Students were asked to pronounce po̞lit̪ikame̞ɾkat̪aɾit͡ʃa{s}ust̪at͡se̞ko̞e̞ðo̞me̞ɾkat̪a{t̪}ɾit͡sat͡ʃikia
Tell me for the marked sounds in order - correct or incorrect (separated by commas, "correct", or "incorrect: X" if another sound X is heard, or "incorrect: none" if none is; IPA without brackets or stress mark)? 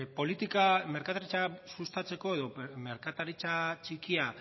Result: correct, incorrect: none